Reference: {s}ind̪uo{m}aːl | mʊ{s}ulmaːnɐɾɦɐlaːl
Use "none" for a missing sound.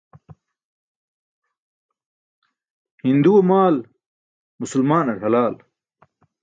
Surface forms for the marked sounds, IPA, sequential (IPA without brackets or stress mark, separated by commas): h, m, s